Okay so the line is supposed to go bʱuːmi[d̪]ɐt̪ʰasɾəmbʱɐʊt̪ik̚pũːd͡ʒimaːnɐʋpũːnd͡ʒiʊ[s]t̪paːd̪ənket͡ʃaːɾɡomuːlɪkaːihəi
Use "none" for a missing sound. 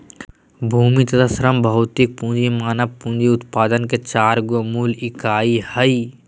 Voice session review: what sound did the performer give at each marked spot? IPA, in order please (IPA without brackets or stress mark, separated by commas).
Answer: t̪, none